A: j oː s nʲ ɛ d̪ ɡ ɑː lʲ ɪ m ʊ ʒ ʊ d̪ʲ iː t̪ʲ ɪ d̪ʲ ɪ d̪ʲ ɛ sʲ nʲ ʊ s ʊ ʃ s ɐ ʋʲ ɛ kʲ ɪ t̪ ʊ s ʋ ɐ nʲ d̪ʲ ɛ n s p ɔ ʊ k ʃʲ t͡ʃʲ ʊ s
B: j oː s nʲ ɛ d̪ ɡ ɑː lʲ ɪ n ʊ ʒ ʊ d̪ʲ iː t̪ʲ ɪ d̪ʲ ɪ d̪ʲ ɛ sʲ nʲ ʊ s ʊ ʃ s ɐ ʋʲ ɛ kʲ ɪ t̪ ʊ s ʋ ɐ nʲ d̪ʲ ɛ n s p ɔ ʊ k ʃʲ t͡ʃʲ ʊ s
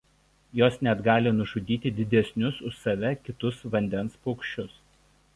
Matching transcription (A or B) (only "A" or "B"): B